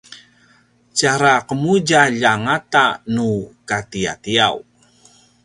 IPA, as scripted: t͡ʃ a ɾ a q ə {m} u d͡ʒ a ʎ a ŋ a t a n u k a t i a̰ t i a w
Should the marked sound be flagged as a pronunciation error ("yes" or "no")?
no